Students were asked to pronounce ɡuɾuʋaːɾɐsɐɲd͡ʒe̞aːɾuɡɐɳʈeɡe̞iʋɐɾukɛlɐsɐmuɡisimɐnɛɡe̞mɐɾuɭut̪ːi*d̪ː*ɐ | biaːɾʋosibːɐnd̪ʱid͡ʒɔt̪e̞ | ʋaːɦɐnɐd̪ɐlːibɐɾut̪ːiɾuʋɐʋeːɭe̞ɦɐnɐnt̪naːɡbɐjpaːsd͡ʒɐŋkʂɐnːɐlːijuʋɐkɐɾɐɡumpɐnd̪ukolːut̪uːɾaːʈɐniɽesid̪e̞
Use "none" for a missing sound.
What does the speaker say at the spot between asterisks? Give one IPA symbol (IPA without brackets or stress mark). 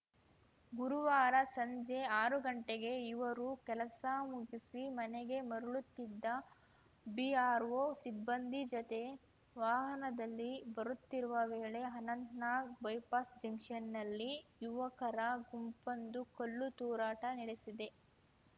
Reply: d̪ː